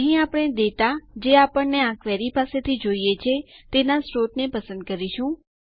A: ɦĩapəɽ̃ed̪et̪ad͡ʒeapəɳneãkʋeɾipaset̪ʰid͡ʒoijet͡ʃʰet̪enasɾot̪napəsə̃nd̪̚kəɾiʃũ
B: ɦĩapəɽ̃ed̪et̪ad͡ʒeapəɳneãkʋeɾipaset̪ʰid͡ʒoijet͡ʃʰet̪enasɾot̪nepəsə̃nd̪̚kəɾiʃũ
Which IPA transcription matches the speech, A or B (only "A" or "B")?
B